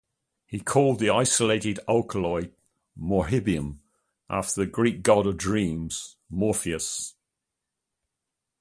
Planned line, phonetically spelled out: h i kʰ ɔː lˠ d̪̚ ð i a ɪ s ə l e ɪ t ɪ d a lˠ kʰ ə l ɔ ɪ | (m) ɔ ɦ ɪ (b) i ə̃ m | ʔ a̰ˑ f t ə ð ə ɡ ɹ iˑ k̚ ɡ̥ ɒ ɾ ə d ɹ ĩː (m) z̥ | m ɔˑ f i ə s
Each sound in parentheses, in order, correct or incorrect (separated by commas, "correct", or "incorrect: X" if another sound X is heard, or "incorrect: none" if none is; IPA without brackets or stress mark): correct, correct, correct